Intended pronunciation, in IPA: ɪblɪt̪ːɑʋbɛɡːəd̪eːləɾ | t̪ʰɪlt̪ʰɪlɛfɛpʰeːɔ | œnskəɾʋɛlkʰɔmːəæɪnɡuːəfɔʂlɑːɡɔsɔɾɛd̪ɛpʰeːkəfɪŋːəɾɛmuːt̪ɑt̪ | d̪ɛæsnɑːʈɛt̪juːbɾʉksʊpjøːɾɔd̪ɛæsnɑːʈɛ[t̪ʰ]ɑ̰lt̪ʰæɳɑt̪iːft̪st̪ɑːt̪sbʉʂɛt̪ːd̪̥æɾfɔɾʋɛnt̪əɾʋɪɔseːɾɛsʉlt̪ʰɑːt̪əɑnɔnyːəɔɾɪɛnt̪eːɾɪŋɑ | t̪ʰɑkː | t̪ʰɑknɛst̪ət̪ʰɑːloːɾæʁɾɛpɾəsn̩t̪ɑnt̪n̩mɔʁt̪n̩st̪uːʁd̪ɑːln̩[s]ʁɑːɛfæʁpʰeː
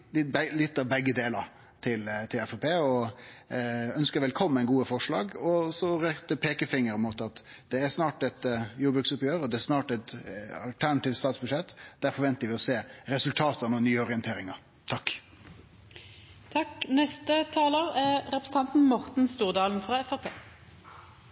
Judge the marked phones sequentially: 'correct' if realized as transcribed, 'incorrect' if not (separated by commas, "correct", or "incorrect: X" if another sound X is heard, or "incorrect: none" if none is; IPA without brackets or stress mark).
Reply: incorrect: t̪, incorrect: f